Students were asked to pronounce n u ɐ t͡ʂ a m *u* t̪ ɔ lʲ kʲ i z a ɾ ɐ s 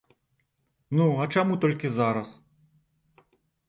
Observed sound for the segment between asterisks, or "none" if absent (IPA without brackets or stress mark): u